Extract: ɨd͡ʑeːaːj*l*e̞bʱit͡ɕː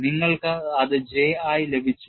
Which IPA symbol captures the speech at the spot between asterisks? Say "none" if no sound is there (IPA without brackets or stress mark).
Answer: l